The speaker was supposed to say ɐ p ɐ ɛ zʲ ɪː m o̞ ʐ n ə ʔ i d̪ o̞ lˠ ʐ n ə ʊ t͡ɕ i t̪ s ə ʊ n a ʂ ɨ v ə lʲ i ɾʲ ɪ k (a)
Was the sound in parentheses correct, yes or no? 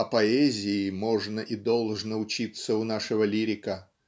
no